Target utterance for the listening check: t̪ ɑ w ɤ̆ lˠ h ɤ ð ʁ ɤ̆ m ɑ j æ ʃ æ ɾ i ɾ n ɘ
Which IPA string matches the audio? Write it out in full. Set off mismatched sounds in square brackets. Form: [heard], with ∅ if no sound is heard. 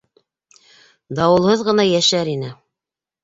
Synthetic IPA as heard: [d̪] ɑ w ɤ̆ lˠ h ɤ ð ʁ ɤ̆ [n] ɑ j æ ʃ æ ɾ i [∅] n ɘ